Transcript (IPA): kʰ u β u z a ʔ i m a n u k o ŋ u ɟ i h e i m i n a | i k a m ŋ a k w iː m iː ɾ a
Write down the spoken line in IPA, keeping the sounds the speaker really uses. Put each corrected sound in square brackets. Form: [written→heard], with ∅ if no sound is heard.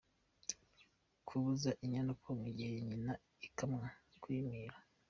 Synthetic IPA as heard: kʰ u β u z a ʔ i [m→ɲ] a n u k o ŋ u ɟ i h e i [m→ɲ] i n a | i k a m ŋ a k w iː m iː ɾ a